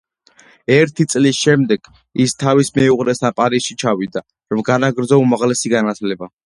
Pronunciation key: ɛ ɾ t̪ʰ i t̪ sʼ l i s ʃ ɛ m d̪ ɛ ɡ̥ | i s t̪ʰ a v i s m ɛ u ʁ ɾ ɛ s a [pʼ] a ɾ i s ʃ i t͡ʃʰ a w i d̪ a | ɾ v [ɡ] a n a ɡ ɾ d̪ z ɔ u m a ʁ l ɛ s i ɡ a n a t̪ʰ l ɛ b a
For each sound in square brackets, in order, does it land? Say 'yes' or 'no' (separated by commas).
yes, yes